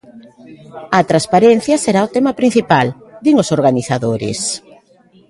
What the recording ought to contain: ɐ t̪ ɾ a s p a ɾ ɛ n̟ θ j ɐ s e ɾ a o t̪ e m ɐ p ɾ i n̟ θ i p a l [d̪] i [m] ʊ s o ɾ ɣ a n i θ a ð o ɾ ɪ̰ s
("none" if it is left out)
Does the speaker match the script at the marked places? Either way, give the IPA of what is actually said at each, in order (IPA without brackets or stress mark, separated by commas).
d̪, ŋ